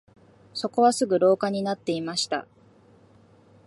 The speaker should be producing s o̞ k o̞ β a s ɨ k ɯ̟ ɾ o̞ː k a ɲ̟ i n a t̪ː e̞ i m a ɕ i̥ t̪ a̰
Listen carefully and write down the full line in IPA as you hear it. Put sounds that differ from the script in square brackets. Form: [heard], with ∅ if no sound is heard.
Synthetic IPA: s o̞ k o̞ β a s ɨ [ɡ] ɯ̟ ɾ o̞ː k a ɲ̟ i n a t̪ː e̞ i m a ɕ i̥ t̪ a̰